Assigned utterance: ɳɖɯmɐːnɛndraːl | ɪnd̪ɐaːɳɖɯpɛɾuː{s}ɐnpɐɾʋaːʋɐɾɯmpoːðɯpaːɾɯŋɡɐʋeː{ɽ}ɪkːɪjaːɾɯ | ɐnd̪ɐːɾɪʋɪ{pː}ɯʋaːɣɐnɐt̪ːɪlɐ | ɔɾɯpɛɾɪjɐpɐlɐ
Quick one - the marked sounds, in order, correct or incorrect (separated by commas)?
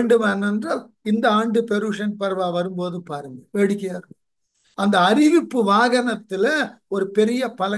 incorrect, correct, correct